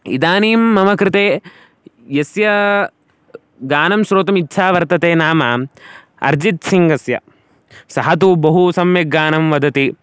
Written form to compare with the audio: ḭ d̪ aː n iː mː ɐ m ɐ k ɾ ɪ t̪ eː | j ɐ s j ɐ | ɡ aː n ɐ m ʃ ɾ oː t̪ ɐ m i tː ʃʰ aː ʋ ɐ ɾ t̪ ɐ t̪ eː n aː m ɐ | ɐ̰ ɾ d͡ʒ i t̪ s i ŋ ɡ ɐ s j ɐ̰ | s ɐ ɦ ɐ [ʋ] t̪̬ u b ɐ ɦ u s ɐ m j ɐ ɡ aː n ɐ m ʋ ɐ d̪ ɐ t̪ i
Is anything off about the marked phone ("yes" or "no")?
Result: yes